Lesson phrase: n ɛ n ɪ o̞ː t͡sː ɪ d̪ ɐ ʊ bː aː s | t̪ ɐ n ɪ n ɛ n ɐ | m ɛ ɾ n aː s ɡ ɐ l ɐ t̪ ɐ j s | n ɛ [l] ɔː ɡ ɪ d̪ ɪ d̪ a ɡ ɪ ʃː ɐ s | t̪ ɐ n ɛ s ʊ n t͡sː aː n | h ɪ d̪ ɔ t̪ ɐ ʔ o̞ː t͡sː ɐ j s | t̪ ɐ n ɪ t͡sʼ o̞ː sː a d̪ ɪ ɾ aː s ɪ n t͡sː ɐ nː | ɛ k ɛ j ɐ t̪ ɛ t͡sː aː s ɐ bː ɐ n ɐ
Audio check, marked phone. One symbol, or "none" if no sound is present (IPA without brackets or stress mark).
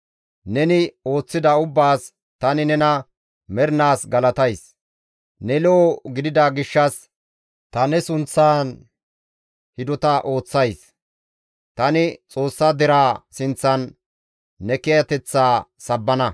l